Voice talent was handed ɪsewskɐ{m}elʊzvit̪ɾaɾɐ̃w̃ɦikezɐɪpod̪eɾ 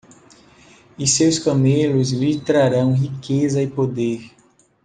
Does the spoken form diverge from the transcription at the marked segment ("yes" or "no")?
no